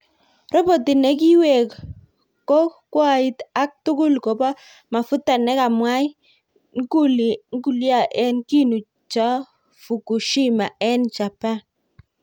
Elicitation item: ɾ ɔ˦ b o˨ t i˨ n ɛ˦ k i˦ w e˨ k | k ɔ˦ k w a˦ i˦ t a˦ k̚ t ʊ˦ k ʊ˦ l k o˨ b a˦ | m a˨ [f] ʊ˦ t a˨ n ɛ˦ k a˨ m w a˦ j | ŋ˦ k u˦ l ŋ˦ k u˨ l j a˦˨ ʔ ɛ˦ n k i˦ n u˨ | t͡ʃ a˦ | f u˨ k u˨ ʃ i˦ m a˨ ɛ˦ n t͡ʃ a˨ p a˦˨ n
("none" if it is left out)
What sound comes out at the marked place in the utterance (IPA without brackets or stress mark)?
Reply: f